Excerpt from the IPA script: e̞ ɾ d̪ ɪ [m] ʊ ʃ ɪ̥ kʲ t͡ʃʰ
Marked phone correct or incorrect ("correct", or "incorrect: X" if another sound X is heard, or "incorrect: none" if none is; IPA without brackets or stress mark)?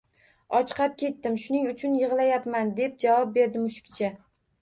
correct